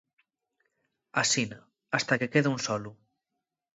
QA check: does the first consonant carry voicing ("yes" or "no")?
no